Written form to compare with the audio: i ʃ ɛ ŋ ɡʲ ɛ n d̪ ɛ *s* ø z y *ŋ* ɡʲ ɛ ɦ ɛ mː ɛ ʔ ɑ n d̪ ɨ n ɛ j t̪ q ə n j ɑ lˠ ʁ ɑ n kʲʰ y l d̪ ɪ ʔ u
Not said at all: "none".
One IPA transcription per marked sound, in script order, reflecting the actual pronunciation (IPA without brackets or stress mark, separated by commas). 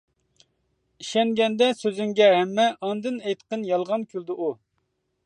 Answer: s, ŋ